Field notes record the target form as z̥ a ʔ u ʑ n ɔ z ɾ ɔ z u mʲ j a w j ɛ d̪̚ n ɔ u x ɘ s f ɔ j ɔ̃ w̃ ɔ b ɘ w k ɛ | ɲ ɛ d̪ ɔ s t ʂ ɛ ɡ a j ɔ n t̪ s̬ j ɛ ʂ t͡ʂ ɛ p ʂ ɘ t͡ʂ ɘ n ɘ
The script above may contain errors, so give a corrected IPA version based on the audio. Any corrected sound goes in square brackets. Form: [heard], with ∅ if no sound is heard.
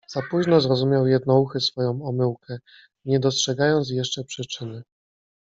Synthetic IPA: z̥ a [p] u ʑ n ɔ z ɾ ɔ z u mʲ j a w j ɛ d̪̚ n ɔ u x ɘ s f ɔ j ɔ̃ w̃ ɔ [m] ɘ w k ɛ | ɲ ɛ d̪ ɔ s t ʂ ɛ ɡ a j ɔ n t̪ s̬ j ɛ ʂ t͡ʂ ɛ p ʂ ɘ t͡ʂ ɘ n ɘ